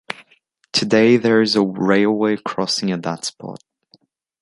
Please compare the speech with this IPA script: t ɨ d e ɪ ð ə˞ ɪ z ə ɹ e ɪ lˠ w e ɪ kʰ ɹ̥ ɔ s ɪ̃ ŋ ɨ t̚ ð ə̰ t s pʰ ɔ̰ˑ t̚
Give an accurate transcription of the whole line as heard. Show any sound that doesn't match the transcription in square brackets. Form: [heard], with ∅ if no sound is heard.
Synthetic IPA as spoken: [tʰ] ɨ d e ɪ ð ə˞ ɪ z ə ɹ e ɪ lˠ w e ɪ kʰ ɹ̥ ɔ s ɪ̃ ŋ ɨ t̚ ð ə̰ t s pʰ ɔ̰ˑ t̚